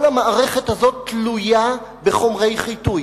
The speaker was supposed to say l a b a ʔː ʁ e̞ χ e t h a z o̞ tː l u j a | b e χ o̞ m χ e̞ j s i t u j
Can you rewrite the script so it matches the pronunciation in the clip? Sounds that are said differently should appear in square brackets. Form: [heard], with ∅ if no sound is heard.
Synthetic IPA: l a [m] a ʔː ʁ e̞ χ e t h a z o̞ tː l u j a | b e χ o̞ m [ʁ] e̞ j [χ] i t u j